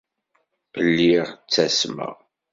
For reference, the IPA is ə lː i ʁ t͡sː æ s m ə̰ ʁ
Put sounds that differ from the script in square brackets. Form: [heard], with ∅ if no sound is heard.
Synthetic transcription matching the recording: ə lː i ʁ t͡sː æ s m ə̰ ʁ